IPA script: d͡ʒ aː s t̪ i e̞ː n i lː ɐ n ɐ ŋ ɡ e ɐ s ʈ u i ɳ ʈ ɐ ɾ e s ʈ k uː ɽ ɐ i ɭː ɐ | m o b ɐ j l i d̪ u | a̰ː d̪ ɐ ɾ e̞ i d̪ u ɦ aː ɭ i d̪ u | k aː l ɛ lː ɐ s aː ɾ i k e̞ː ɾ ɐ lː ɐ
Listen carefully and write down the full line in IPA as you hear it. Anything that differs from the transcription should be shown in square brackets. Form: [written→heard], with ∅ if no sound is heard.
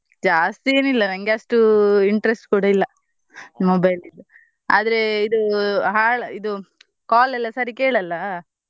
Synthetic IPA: d͡ʒ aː s t̪ i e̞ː n i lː ɐ n ɐ ŋ ɡ e ɐ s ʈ u i ɳ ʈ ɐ ɾ e s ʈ k uː ɽ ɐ i [ɭː→lː] ɐ | m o b ɐ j l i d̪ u | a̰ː d̪ ɐ ɾ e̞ i d̪ u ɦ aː ɭ i d̪ u | k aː l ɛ lː ɐ s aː ɾ i k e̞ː [ɾ→ɭ] ɐ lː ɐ

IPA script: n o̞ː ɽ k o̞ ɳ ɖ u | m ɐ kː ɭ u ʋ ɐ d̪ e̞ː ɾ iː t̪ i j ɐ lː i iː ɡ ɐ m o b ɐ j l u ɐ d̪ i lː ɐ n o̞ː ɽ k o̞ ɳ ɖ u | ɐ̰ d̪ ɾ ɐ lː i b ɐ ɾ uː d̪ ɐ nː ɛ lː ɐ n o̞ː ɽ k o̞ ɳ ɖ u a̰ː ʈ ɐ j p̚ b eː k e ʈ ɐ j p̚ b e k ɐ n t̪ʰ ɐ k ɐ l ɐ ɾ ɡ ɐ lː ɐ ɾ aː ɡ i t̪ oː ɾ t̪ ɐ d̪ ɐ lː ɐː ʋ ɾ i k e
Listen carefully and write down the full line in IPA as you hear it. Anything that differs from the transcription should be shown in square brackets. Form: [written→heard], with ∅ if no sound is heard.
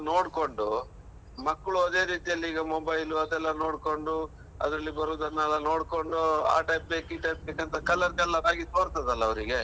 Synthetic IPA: n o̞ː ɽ k o̞ ɳ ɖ u | m ɐ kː ɭ u [ʋ→∅] ɐ d̪ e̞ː ɾ iː t̪ i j ɐ lː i iː ɡ ɐ m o b ɐ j l u ɐ d̪ [i→ɛ] lː ɐ n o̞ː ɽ k o̞ ɳ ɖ u | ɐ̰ d̪ ɾ ɐ lː i b ɐ ɾ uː d̪ ɐ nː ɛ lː ɐ n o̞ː ɽ k o̞ ɳ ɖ u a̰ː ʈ ɐ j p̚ b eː k [e→i] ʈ ɐ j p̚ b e k ɐ n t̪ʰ ɐ k ɐ l ɐ ɾ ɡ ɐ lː ɐ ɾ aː ɡ i t̪ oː ɾ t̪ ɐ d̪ ɐ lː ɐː ʋ ɾ i [k→ɡ] e

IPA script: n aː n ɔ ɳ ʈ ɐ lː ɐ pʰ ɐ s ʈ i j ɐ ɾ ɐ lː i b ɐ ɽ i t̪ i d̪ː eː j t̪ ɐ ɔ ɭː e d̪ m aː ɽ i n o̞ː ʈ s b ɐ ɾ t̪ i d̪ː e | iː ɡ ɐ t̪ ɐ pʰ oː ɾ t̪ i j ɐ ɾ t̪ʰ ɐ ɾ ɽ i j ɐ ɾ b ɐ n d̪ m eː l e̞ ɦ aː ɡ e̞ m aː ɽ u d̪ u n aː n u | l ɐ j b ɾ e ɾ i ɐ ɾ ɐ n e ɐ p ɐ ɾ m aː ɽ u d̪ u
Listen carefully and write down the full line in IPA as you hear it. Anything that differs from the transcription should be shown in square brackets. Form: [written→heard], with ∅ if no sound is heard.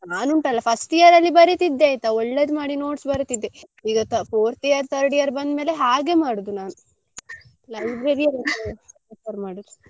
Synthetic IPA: n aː n [ɔ→u] ɳ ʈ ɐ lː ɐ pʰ ɐ s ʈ i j ɐ ɾ ɐ lː i b ɐ [ɽ→ɾ] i t̪ i d̪ː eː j t̪ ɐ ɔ ɭː e d̪ m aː ɽ i n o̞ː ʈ s b ɐ ɾ t̪ i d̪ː e | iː ɡ ɐ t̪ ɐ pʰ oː ɾ t̪ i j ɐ ɾ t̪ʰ ɐ ɾ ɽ i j ɐ ɾ b ɐ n d̪ m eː l e̞ ɦ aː ɡ e̞ m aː ɽ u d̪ u n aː n u | l ɐ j b ɾ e ɾ i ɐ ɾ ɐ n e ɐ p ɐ ɾ m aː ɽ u d̪ u

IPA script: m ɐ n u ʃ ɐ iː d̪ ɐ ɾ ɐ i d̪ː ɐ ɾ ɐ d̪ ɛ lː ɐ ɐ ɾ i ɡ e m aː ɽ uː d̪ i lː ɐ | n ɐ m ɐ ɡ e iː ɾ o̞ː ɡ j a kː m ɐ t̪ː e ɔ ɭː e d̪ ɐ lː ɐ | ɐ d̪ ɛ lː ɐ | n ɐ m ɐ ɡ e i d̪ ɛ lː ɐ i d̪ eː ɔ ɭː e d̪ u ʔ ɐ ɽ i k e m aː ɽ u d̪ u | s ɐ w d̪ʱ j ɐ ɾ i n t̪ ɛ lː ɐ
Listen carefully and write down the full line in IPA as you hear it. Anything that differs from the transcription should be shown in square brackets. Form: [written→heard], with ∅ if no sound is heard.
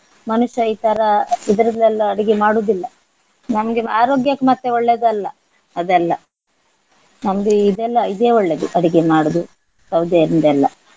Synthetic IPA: m ɐ n u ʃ ɐ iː [d̪→t̪] ɐ ɾ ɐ i [d̪ː→d̪] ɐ ɾ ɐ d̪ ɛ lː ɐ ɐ [ɾ→ɽ] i ɡ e m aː ɽ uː d̪ i lː ɐ | n ɐ m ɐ ɡ e [iː→aː] ɾ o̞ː ɡ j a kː m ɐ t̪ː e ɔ ɭː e d̪ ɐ lː ɐ | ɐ d̪ ɛ lː ɐ | n ɐ m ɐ ɡ e i d̪ ɛ lː ɐ i d̪ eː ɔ ɭː e d̪ u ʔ ɐ ɽ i [k→ɡ] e m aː ɽ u d̪ u | s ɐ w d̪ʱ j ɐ ɾ i n [t̪→d̪] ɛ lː ɐ

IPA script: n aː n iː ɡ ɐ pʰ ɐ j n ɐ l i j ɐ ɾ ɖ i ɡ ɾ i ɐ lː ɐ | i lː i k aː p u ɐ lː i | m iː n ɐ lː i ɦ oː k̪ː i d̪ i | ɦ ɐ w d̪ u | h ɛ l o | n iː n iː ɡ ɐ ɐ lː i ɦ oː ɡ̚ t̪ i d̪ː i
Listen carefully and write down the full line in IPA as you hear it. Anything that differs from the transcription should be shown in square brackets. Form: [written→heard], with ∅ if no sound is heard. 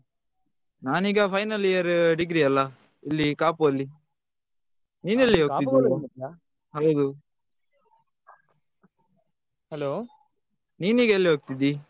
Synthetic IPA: n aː n iː ɡ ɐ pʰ ɐ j n ɐ l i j ɐ ɾ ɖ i ɡ ɾ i ɐ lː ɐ | i lː i k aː p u ɐ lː i | [m→n] iː n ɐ lː i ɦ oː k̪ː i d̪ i | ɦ ɐ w d̪ u | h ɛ l o | n iː n iː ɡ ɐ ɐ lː i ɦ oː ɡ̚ t̪ i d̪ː i

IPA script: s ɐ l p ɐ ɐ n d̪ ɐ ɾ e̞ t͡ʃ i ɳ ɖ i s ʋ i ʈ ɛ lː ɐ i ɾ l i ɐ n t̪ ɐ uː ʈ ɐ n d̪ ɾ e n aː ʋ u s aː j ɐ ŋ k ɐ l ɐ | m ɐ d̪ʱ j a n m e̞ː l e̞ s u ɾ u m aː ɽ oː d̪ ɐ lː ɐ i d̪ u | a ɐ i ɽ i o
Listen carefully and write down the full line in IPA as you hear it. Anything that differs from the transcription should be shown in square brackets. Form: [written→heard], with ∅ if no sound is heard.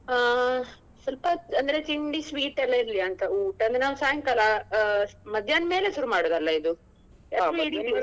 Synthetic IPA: s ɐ l p ɐ ɐ n d̪ ɐ ɾ e̞ t͡ʃ i ɳ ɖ i s ʋ [i→iː] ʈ ɛ lː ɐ i ɾ l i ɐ n t̪ ɐ uː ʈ ɐ n d̪ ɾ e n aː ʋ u s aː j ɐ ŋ k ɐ l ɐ | m ɐ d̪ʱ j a n m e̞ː l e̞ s u ɾ u m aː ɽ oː d̪ ɐ lː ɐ i d̪ u | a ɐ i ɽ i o

